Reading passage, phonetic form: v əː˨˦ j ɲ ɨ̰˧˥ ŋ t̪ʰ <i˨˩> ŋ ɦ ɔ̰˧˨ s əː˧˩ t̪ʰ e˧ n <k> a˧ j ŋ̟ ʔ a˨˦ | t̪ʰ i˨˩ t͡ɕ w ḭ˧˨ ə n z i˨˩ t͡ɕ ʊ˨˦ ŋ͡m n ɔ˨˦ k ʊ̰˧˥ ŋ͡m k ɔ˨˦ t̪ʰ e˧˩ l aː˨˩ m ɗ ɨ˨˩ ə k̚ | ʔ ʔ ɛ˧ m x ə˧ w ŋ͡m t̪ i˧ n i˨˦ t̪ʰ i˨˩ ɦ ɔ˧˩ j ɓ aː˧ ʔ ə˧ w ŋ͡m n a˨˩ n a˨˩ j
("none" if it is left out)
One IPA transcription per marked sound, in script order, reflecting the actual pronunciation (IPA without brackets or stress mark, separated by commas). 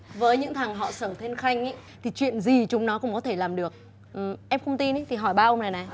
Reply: a˨˩, x